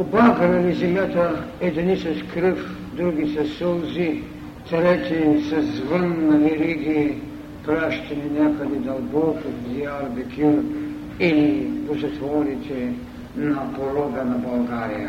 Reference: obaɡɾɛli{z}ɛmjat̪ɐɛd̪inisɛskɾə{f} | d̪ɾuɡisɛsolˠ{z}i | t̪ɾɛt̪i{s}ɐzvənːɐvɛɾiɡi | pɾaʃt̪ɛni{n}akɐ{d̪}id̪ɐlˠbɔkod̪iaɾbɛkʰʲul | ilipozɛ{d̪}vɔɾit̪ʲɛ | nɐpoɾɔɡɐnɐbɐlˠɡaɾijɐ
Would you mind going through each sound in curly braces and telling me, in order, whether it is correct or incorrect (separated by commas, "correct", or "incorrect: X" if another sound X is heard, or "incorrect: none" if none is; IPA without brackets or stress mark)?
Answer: correct, correct, correct, correct, correct, correct, incorrect: t̪